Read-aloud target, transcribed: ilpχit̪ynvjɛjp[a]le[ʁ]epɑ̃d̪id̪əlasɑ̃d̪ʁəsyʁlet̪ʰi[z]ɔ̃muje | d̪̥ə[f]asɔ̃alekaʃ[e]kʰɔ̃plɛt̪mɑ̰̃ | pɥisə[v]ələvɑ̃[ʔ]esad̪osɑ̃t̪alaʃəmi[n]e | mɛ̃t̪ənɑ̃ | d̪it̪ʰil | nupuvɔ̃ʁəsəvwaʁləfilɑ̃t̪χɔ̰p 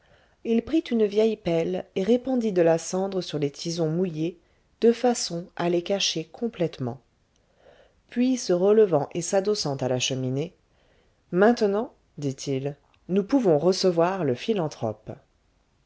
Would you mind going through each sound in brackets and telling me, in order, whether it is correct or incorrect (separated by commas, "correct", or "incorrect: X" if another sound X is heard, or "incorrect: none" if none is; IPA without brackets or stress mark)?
incorrect: ɛ, correct, correct, correct, correct, incorrect: ʁ, correct, correct